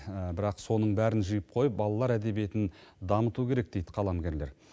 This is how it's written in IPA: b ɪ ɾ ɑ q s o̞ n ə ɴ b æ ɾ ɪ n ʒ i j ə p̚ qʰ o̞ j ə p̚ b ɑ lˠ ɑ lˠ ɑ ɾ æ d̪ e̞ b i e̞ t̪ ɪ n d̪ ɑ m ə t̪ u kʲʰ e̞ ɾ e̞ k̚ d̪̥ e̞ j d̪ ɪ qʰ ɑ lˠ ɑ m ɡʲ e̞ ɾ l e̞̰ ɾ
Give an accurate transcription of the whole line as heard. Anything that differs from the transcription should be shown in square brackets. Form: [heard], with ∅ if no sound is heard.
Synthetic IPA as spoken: b ɪ ɾ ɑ q s o̞ n ə ɴ b æ ɾ ɪ n ʒ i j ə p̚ qʰ o̞ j ə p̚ b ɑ lˠ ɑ lˠ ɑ ɾ æ d̪ e̞ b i e̞ t̪ ɪ n d̪ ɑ m ə t̪ u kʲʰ e̞ ɾ e̞ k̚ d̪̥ e̞ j d̪ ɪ qʰ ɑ lˠ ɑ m ɡʲ e̞ ɾ l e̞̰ ɾ